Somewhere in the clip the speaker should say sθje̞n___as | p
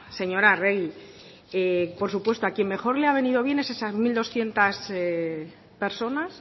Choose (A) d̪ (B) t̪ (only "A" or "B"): B